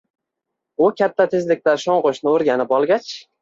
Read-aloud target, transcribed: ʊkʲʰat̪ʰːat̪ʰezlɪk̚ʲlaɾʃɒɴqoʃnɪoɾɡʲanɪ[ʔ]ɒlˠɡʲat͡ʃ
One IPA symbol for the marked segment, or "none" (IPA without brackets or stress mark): p